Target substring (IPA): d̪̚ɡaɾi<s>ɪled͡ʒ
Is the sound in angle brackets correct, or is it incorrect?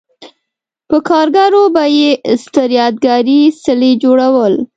correct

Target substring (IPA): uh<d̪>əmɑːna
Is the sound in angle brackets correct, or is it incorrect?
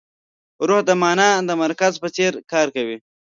correct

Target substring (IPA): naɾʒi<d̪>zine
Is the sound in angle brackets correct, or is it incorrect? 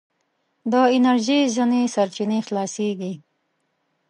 incorrect: none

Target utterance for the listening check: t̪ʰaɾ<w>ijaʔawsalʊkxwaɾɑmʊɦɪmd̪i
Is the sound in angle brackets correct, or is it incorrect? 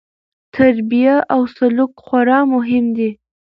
incorrect: b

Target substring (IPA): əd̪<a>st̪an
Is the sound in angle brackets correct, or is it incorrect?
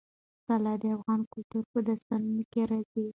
correct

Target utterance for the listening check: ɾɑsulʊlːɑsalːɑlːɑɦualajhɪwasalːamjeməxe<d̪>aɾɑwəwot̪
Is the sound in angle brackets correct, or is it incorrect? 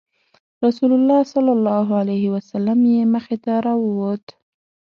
incorrect: t̪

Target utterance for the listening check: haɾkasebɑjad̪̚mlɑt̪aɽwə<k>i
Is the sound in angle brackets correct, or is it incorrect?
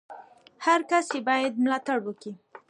correct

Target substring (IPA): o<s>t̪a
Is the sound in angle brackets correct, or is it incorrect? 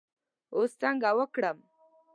correct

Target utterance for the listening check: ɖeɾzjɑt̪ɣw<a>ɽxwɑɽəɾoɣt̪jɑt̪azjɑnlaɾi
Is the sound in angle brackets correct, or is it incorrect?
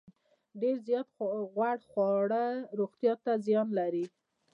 correct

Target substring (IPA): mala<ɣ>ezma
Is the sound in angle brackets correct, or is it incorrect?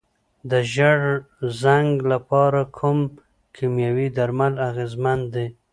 correct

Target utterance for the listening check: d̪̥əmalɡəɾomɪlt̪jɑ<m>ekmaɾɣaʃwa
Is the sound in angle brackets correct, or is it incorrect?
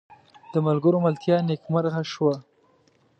incorrect: n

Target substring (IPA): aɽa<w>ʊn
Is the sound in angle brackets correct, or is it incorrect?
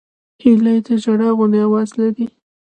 incorrect: ɣ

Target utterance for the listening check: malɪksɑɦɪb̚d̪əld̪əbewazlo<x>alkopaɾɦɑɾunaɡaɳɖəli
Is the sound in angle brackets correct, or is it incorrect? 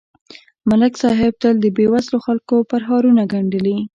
correct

